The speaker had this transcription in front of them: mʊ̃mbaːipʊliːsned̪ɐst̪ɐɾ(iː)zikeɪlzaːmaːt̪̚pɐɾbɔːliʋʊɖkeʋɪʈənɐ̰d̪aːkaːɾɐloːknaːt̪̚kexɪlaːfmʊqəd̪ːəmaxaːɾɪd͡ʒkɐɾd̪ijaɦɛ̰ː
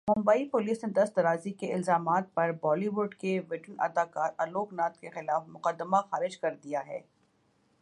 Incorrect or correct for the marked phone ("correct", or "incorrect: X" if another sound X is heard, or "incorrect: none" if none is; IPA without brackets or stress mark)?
incorrect: aː